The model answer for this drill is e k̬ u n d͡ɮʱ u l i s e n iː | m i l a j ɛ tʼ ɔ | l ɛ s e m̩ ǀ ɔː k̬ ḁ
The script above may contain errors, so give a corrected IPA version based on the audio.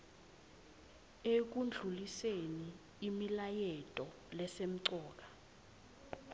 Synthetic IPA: e k̬ u n d͡ɮʱ u l i s e n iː | m i l a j ɛ tʼ ɔ | l ɛ s e m̩ ǀ ɔː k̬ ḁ